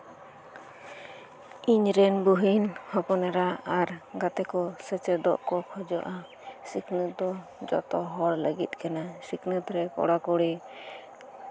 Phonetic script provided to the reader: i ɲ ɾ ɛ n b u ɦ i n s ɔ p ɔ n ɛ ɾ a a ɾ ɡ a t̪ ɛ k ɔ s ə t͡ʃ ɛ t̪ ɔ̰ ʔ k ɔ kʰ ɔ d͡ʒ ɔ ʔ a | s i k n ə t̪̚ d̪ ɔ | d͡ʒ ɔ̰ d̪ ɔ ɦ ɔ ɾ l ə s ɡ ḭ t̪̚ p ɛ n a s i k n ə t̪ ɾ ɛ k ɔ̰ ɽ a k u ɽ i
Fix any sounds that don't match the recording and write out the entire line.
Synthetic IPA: i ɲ ɾ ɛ n b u ɦ i n h ɔ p ɔ n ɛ ɾ a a ɾ ɡ a t̪ ɛ k ɔ s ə t͡ʃ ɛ d̪ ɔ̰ ʔ k ɔ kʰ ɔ d͡ʒ ɔ ʔ a | s i k n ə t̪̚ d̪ ɔ | d͡ʒ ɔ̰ t̪ ɔ ɦ ɔ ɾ l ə ɡ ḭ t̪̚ k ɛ n a s i k n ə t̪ ɾ ɛ k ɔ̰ ɽ a k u ɽ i